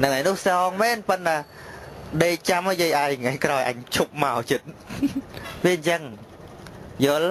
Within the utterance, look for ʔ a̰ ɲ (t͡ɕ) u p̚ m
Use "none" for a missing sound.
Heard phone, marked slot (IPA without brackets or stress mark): t͡ɕʰ